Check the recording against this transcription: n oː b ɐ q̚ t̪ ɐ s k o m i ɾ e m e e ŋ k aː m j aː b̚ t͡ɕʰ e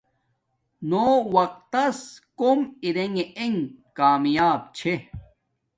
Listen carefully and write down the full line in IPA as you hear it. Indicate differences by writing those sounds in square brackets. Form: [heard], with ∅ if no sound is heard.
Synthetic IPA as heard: n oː [w] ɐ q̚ t̪ ɐ s k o m i ɾ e [ŋ] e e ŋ k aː m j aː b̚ t͡ɕʰ e